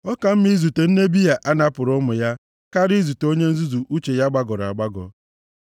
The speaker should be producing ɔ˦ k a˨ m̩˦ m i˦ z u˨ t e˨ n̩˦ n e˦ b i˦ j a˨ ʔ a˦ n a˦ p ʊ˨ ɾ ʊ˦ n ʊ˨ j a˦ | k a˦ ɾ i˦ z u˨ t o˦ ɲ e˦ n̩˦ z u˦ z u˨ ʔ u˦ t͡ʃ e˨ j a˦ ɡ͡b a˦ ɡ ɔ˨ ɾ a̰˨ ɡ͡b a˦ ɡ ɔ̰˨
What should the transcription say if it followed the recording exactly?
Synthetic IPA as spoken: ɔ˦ k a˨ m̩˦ m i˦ z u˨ t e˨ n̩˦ n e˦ b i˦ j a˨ ʔ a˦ n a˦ p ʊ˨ ɾ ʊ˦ m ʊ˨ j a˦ | k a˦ ɾ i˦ z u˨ t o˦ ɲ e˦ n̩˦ z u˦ z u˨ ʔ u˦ t͡ʃ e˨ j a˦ ɡ͡b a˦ ɡ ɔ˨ ɾ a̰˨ ɡ͡b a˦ ɡ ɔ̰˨